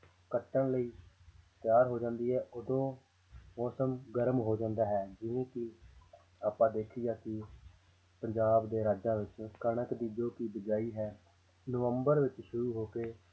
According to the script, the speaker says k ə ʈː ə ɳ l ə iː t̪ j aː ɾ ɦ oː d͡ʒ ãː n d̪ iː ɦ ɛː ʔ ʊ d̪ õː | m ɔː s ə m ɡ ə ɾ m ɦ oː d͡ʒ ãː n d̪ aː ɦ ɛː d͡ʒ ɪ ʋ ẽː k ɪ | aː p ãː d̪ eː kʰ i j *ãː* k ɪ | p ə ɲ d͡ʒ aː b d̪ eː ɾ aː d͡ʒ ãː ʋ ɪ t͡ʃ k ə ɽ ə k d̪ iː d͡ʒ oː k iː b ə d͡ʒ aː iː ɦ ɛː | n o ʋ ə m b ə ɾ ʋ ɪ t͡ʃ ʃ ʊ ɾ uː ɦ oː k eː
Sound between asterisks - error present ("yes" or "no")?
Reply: yes